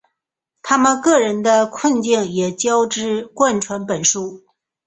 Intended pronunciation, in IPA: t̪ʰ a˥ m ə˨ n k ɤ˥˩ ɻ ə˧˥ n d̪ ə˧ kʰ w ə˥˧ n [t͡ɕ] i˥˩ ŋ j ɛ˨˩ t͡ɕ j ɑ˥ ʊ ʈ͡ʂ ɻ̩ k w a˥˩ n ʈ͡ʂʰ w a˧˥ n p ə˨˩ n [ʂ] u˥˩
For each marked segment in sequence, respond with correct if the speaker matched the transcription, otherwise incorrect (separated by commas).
correct, correct